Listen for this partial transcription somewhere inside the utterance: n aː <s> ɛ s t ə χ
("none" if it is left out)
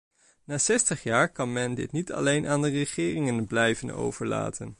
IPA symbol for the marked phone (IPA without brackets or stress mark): s